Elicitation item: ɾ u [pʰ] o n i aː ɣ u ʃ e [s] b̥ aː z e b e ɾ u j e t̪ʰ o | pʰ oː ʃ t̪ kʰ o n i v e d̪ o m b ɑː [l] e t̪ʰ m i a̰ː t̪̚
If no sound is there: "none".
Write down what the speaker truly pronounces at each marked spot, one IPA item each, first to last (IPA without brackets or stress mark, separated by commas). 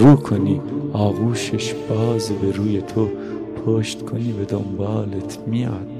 kʰ, ʃ, l